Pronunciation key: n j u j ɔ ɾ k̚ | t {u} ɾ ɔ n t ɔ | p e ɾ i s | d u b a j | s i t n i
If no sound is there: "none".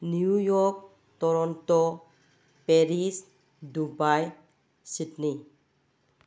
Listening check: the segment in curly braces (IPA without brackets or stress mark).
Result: ɔ